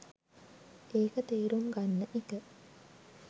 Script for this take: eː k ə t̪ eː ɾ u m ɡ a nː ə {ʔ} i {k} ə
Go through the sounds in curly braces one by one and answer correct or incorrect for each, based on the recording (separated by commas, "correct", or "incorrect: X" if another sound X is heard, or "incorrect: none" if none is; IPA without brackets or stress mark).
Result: correct, correct